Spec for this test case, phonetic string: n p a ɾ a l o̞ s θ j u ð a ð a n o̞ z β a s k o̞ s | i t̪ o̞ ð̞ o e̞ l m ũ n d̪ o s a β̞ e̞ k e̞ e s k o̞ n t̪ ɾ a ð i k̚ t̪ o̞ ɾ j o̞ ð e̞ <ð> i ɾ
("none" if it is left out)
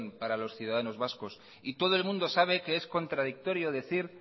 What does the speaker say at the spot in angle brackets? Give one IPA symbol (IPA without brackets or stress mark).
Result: θ